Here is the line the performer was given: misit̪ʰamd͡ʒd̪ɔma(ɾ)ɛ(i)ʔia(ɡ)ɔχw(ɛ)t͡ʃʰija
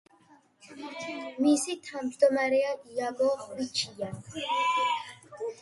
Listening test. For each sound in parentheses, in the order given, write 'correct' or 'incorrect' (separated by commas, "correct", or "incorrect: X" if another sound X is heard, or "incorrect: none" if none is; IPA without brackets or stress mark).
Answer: correct, incorrect: a, correct, incorrect: i